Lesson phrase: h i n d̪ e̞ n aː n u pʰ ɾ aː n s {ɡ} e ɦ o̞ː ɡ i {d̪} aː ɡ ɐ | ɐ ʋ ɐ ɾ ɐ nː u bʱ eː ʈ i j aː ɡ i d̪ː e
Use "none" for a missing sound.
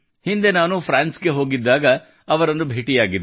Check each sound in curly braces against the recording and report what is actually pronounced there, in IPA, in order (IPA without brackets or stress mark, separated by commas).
ɡ, d̪ː